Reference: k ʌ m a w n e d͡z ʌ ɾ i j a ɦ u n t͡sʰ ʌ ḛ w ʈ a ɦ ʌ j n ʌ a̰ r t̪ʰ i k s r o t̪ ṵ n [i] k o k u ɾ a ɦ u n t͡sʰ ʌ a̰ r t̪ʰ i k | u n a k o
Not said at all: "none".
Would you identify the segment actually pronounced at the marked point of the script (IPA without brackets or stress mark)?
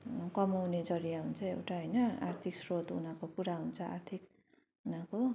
a